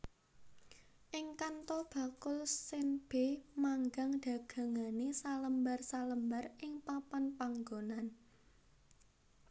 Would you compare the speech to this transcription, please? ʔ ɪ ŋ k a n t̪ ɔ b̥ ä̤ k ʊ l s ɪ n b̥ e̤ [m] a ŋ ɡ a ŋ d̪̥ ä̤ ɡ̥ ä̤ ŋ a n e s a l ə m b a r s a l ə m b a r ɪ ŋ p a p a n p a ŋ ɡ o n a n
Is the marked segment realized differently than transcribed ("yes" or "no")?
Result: no